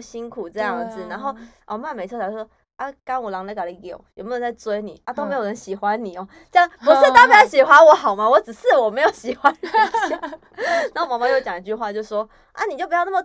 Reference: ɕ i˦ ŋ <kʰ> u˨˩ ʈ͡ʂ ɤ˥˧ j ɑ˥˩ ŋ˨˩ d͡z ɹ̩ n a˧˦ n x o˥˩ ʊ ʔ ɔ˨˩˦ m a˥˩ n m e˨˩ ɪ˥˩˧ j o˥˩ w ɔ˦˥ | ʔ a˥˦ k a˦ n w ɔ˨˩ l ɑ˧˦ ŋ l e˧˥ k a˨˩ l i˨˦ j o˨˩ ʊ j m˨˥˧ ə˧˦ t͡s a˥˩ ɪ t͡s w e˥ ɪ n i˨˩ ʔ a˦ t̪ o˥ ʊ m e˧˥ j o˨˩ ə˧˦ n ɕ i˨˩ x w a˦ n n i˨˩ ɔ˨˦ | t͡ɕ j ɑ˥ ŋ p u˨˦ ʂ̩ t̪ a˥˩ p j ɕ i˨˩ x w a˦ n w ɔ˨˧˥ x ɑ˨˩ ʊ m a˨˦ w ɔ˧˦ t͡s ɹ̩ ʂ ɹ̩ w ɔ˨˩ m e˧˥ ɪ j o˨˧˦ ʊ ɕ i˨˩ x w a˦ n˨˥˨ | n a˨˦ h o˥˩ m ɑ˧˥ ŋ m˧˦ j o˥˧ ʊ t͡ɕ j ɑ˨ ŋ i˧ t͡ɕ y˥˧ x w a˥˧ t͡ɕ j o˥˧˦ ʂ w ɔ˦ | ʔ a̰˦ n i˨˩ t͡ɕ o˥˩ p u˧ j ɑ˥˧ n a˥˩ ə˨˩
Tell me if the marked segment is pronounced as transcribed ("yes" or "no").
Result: yes